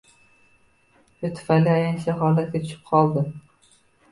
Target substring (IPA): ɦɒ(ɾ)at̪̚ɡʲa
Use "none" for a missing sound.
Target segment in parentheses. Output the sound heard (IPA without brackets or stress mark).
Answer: l